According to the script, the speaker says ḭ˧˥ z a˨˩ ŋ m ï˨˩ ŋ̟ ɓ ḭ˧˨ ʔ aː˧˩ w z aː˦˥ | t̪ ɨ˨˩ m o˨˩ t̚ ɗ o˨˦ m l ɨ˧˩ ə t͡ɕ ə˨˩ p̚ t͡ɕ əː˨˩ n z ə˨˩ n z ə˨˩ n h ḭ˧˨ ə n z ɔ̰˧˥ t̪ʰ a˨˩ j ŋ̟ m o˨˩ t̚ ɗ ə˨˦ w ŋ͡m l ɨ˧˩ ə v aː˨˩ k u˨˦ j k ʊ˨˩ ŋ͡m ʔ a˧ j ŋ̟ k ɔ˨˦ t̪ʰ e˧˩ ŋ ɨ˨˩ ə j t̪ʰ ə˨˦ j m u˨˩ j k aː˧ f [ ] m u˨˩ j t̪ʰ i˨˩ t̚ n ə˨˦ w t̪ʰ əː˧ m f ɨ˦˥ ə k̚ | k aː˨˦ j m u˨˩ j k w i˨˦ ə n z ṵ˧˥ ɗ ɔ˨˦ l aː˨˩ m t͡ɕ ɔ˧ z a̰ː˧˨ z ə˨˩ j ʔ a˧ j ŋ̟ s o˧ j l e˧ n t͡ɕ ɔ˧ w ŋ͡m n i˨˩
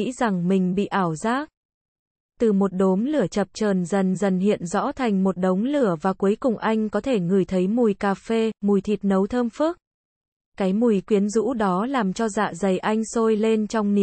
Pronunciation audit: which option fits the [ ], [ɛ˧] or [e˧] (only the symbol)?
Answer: e˧